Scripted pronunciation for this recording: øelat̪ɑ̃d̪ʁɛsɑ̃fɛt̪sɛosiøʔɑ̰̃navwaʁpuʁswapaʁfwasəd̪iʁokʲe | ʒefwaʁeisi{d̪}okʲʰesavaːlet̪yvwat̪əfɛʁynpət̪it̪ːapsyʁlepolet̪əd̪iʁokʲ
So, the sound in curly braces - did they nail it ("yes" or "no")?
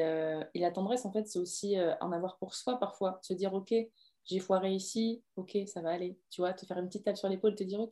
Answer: no